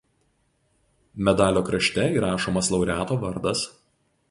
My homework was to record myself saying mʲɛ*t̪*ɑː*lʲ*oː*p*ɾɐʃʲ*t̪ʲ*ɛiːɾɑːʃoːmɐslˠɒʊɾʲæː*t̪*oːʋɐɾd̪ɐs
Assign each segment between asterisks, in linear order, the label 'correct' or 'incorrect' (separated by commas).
incorrect, correct, incorrect, correct, correct